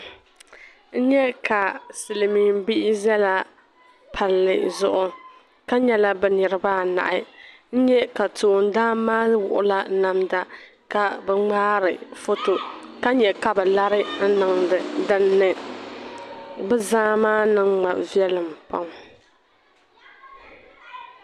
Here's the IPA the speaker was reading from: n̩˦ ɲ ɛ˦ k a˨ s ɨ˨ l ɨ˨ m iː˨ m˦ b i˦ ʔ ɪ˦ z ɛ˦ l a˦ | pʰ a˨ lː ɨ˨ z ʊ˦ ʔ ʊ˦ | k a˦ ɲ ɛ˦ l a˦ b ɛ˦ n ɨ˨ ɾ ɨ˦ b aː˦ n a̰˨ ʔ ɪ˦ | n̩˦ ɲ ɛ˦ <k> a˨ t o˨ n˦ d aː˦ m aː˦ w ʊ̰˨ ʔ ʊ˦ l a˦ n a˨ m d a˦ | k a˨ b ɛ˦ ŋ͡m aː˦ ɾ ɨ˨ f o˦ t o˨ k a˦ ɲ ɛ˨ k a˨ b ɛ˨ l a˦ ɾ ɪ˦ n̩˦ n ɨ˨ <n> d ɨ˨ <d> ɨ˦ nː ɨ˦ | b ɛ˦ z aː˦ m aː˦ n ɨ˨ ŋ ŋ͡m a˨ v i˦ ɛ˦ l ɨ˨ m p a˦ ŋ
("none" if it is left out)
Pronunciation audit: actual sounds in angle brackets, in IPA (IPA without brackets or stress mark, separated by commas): k, ŋ, d